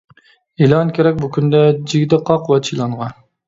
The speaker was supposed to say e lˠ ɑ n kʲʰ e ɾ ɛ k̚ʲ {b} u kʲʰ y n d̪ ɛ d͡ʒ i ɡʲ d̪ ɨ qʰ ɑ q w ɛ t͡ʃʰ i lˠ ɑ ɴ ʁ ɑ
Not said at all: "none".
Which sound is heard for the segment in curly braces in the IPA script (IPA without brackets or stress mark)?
b